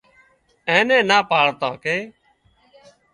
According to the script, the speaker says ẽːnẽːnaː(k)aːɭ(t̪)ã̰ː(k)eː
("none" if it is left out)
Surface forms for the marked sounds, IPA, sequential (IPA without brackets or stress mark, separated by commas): p, t̪, k